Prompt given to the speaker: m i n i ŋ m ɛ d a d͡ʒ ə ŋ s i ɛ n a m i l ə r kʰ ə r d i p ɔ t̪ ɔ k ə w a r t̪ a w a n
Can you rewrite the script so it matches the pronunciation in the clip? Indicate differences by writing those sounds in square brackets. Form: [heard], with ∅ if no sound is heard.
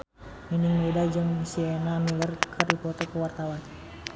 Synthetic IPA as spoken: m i n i ŋ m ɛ d a d͡ʒ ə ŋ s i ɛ n a m i l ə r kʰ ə r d i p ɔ t̪ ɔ k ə w a r t̪ a w a n